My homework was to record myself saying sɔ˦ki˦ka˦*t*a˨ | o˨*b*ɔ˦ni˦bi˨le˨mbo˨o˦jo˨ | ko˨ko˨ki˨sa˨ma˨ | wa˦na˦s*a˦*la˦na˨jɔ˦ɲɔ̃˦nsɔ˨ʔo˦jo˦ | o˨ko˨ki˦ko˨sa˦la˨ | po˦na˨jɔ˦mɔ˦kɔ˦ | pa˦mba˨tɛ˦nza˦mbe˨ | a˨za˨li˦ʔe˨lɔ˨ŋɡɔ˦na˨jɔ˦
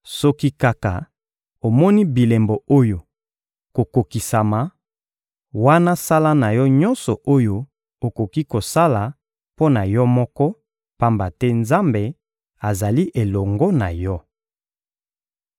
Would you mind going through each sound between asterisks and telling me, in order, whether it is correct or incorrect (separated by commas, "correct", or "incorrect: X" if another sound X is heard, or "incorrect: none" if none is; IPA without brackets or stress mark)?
incorrect: k, incorrect: m, correct